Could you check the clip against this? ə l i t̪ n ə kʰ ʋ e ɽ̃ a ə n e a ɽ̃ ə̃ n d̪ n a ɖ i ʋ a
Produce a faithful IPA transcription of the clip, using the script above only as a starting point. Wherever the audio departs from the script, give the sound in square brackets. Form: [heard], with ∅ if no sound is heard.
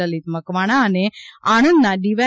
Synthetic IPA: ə l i t̪ [m] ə [k] ʋ [a] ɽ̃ a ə n e a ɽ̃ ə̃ n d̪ n a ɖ i ʋ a